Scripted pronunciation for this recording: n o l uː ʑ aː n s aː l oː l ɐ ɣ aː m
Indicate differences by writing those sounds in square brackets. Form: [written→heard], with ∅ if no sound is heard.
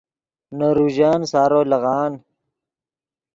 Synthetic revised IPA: n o [l→ɾ] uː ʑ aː n s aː [l→ɾ] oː l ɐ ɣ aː [m→n]